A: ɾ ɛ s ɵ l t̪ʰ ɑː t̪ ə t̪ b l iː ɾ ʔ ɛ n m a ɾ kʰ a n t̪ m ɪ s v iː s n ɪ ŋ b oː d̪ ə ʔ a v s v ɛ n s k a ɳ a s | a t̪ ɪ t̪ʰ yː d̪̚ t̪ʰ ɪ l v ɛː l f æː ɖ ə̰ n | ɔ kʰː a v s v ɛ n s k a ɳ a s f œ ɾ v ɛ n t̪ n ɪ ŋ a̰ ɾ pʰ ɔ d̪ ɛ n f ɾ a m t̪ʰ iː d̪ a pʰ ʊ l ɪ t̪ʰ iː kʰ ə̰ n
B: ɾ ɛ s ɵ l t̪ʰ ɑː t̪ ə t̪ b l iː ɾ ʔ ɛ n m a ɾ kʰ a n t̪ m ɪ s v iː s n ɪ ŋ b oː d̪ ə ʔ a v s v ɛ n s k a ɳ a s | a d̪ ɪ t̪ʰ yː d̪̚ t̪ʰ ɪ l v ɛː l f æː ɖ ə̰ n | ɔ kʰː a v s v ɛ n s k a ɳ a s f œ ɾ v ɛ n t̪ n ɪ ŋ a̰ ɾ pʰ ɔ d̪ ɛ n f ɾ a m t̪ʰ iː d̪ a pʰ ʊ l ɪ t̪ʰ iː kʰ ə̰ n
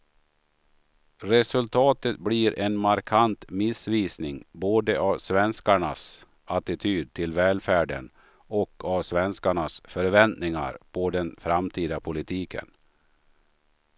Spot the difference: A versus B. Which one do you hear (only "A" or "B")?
A